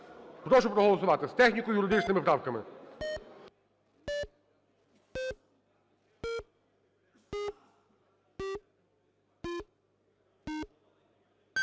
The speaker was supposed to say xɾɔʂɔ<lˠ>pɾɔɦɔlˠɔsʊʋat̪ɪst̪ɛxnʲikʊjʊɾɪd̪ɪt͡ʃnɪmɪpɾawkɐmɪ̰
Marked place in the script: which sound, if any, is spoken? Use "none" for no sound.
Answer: none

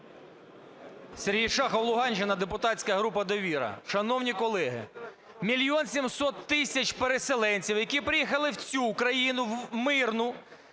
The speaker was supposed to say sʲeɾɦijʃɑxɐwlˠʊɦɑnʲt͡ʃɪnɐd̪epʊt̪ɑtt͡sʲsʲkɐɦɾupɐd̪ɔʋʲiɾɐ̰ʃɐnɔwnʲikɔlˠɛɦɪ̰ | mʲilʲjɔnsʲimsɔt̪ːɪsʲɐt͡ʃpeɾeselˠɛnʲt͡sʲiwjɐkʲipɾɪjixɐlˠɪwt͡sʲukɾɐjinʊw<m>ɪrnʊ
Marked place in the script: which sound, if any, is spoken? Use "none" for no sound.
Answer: m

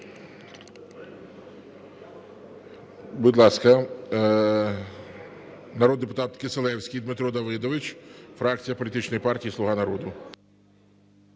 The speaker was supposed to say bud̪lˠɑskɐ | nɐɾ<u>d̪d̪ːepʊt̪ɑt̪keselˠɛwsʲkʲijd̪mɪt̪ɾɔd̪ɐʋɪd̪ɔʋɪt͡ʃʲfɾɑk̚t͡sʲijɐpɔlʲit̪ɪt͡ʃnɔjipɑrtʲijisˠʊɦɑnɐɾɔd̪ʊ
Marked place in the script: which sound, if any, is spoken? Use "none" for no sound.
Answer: ɔ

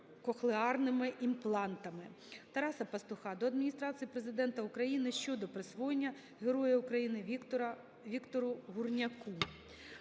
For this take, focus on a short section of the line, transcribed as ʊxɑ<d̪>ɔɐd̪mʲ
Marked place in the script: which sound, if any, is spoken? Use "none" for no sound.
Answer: d̪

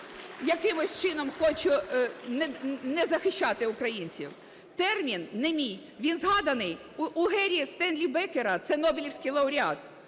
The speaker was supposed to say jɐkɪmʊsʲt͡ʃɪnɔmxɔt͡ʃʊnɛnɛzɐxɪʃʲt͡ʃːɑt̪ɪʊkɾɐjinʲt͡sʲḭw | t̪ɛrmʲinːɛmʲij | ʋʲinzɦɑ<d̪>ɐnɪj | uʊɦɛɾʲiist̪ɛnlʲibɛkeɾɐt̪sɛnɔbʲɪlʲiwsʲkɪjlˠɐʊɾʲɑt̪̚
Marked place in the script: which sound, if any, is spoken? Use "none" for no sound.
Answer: d̪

